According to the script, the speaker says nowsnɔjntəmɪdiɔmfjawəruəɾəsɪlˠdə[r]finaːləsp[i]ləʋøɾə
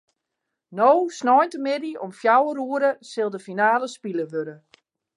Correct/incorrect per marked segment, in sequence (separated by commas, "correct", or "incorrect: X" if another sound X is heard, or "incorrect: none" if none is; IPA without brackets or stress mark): incorrect: none, correct